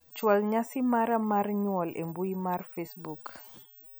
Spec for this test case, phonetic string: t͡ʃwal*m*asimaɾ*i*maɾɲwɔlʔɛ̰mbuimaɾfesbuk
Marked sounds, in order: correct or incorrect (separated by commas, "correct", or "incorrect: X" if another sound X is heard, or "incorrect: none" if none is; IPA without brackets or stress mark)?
incorrect: ɲ, incorrect: a